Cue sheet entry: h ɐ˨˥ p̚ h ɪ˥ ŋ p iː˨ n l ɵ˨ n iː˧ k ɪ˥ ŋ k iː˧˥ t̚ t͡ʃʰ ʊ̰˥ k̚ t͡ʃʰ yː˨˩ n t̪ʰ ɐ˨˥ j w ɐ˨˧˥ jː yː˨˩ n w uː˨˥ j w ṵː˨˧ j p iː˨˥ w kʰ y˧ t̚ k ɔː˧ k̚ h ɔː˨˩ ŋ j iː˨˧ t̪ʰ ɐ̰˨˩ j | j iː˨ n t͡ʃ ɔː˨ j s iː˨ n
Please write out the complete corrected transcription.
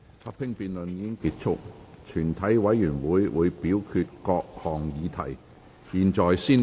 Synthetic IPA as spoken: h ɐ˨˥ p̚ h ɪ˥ ŋ p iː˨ n l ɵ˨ n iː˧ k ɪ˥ ŋ k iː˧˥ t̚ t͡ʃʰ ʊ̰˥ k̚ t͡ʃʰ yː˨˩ n t̪ʰ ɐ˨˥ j w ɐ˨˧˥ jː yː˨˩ n w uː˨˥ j w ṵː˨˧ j p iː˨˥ w kʰ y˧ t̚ k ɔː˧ k̚ h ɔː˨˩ ŋ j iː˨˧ t̪ʰ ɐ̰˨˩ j | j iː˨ n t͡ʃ ɔː˨ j s iː˥ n